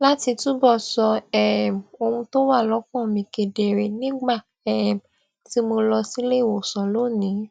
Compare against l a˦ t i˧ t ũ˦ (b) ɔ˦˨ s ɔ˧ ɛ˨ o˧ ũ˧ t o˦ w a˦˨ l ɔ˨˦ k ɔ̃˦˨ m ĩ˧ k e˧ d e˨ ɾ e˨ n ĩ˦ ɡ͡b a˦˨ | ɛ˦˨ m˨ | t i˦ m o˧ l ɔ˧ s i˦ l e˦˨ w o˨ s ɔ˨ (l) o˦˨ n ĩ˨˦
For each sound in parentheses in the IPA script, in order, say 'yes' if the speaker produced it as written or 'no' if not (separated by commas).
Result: yes, yes